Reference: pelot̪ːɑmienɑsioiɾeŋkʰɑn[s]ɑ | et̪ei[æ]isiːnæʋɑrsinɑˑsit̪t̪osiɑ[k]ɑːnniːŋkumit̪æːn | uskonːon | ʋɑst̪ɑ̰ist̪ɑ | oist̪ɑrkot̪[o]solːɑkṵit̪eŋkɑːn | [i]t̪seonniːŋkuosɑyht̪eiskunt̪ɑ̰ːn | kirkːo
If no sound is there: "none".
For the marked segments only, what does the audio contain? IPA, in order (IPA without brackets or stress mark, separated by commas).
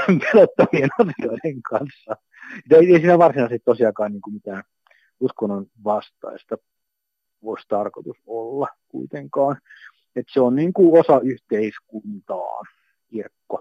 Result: sː, e, k, u, e